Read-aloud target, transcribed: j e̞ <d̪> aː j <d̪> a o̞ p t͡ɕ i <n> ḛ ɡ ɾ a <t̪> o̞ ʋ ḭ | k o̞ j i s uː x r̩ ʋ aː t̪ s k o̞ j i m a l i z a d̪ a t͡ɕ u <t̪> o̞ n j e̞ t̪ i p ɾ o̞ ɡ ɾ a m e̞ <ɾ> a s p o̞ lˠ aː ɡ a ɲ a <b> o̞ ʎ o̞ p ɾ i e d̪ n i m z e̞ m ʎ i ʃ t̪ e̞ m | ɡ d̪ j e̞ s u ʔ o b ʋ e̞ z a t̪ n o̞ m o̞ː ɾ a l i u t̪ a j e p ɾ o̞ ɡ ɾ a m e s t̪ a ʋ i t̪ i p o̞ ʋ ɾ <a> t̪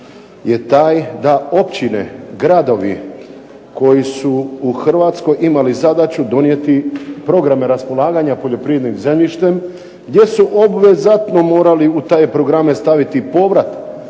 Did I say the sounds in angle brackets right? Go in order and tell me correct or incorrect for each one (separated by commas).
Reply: incorrect, correct, correct, incorrect, incorrect, correct, incorrect, correct